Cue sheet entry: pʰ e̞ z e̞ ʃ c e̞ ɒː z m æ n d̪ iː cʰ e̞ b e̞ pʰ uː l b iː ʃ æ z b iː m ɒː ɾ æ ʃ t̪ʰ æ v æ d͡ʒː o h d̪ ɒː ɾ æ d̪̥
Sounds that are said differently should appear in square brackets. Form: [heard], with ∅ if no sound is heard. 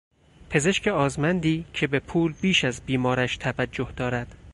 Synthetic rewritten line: pʰ e̞ z e̞ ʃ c e̞ ɒː z m æ n d̪ iː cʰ e̞ b e̞ pʰ uː l b iː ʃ æ z b iː m ɒː ɾ æ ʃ t̪ʰ æ v æ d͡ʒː o h d̪ ɒː ɾ æ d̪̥

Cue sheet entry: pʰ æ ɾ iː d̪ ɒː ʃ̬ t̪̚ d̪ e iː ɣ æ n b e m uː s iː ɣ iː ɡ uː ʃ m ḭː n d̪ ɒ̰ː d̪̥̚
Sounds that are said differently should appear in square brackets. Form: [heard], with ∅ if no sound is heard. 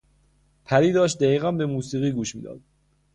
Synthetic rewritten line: pʰ æ ɾ iː d̪ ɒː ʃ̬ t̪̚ d̪ [æ] iː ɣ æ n b e m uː s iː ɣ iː ɡ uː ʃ m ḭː [∅] d̪ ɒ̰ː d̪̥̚

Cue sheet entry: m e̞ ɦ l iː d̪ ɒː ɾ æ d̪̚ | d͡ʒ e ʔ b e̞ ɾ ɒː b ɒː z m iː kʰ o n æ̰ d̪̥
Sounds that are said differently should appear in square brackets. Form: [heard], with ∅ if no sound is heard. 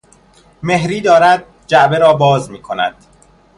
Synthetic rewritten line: m e̞ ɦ [ɾ] iː d̪ ɒː ɾ æ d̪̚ | d͡ʒ [æ] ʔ b e̞ ɾ ɒː b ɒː z m iː kʰ o n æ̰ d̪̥

